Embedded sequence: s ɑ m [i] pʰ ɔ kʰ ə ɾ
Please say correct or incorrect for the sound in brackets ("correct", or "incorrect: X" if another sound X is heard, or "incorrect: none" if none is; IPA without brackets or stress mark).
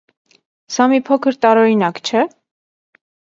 correct